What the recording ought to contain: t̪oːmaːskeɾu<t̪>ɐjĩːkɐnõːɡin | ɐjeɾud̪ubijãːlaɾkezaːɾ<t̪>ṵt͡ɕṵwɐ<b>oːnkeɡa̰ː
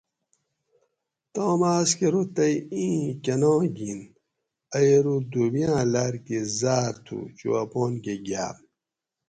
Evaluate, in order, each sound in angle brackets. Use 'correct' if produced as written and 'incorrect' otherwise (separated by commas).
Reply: correct, incorrect, incorrect